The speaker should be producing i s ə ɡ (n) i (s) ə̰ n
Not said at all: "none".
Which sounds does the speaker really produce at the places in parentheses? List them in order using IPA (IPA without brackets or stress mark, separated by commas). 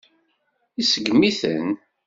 m, θ